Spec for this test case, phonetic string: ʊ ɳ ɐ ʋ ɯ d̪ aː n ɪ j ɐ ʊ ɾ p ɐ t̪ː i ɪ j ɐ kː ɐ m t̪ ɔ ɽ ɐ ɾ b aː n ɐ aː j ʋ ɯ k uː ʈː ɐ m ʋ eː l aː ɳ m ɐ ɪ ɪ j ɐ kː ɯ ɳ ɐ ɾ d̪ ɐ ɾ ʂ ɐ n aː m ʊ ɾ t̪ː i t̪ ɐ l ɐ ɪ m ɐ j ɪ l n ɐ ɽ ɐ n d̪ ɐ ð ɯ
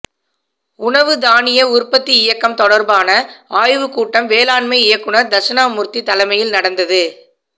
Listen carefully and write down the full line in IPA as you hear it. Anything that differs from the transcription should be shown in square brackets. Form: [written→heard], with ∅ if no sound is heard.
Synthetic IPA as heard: ʊ ɳ ɐ ʋ ɯ d̪ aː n ɪ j ɐ ʊ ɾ p ɐ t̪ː i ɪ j ɐ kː ɐ m t̪ ɔ ɽ ɐ ɾ b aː n ɐ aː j ʋ ɯ k uː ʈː ɐ m ʋ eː l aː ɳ m ɐ ɪ ɪ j ɐ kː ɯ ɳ ɐ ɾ d̪ ɐ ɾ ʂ ɐ n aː m ʊ ɾ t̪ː i t̪ ɐ l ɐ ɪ m ɐ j ɪ l n ɐ ɽ ɐ n d̪ ɐ ð ɯ

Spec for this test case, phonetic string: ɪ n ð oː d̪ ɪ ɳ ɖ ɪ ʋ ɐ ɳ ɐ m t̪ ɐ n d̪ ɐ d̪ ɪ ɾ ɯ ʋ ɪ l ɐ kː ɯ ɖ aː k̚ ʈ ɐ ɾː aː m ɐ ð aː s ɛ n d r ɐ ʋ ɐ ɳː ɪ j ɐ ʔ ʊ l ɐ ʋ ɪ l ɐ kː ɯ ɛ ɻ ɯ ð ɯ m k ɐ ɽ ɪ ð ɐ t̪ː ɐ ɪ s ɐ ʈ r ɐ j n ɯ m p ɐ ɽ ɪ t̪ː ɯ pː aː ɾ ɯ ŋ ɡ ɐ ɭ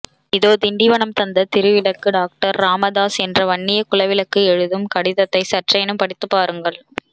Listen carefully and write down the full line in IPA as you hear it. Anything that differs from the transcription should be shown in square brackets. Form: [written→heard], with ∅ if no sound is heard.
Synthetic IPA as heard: ɪ [n→∅] ð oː d̪ ɪ ɳ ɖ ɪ ʋ ɐ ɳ ɐ m t̪ ɐ n d̪ ɐ [d̪→t̪] ɪ ɾ ɯ ʋ ɪ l ɐ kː ɯ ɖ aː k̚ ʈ ɐ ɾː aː m ɐ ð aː s ɛ n d r ɐ ʋ ɐ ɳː ɪ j ɐ [ʔ→k] ʊ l ɐ ʋ ɪ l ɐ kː ɯ ɛ ɻ ɯ ð ɯ m k ɐ ɽ ɪ ð ɐ t̪ː ɐ ɪ s ɐ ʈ r ɐ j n ɯ m p ɐ ɽ ɪ t̪ː ɯ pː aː ɾ ɯ ŋ ɡ ɐ ɭ

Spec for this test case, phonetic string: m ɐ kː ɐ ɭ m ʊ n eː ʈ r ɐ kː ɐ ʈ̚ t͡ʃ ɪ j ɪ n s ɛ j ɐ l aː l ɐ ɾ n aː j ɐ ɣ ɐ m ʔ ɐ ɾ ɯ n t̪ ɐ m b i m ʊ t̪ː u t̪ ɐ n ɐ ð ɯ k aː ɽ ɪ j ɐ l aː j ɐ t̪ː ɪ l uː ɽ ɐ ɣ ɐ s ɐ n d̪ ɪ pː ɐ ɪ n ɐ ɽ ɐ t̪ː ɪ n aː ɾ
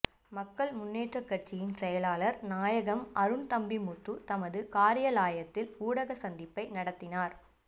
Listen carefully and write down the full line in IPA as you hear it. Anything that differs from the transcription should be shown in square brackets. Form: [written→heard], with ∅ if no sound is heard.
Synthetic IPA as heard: m ɐ kː ɐ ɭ m ʊ [n→nː] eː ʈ r ɐ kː ɐ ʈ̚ t͡ʃ ɪ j ɪ n s ɛ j ɐ l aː l ɐ ɾ n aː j ɐ ɣ ɐ m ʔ ɐ ɾ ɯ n t̪ ɐ m b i m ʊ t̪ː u t̪ ɐ [n→m] ɐ ð ɯ k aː [ɽ→ɾ] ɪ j ɐ l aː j ɐ t̪ː ɪ l uː ɽ ɐ ɣ ɐ s ɐ n d̪ ɪ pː ɐ ɪ n ɐ ɽ ɐ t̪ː ɪ n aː ɾ

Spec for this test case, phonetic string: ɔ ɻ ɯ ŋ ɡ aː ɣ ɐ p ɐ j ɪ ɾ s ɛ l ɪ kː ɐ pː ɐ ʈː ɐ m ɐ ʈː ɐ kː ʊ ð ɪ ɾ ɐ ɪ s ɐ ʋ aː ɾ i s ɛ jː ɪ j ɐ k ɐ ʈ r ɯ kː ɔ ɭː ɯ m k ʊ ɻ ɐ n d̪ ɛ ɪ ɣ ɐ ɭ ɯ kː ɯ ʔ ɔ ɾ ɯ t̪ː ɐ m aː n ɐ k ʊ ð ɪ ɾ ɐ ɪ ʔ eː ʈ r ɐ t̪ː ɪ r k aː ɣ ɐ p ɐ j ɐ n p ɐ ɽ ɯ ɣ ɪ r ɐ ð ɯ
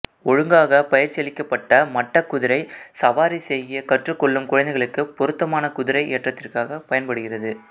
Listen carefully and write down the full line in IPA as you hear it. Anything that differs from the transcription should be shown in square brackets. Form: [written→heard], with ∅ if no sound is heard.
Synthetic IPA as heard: ɔ ɻ ɯ ŋ ɡ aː ɣ ɐ p ɐ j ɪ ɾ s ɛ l ɪ kː ɐ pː ɐ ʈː ɐ m ɐ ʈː ɐ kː ʊ ð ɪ ɾ ɐ ɪ s ɐ ʋ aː ɾ i s ɛ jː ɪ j ɐ k ɐ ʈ r ɯ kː ɔ ɭː ɯ m k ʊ ɻ ɐ n d̪ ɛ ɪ ɣ ɐ ɭ ɯ kː ɯ [ʔ→p] ɔ ɾ ɯ t̪ː ɐ m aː n ɐ k ʊ ð ɪ ɾ ɐ ɪ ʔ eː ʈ r ɐ t̪ː ɪ r k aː ɣ ɐ p ɐ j ɐ n p ɐ ɽ ɯ ɣ ɪ r ɐ ð ɯ

